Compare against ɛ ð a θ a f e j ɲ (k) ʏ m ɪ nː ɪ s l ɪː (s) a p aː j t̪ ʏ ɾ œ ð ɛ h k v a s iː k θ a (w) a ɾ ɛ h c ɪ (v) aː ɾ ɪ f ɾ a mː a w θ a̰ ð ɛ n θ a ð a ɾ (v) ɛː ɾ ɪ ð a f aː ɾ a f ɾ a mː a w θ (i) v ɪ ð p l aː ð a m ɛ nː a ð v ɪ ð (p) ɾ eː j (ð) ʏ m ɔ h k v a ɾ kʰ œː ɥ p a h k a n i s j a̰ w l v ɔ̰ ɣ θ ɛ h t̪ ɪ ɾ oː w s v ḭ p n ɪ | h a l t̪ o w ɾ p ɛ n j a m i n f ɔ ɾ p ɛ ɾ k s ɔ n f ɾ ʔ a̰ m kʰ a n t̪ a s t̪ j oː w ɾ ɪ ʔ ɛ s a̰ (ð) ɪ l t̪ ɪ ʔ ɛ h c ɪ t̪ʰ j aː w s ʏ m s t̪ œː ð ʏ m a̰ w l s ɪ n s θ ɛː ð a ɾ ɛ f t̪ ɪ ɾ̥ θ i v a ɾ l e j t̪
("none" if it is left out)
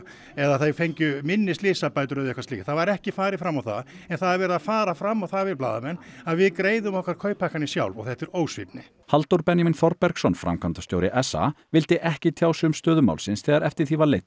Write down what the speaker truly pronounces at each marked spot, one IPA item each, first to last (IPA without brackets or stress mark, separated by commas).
c, s, v, f, v, a, k, ð, v